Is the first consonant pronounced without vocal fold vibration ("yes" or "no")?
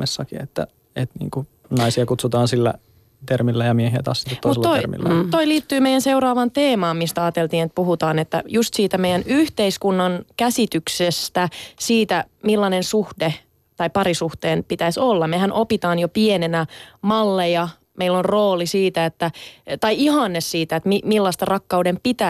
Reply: yes